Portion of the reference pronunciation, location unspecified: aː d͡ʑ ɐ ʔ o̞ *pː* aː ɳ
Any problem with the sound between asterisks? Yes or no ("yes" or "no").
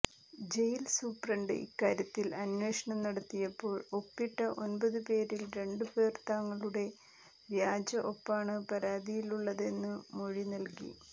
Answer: no